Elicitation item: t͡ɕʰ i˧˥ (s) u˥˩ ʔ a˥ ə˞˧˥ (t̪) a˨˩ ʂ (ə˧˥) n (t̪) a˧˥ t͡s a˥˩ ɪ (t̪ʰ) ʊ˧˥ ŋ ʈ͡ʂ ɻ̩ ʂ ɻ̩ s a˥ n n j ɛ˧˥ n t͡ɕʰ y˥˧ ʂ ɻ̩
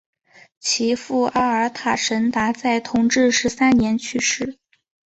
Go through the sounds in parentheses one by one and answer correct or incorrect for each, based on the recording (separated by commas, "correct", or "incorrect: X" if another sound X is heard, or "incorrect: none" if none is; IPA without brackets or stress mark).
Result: incorrect: f, incorrect: t̪ʰ, correct, correct, correct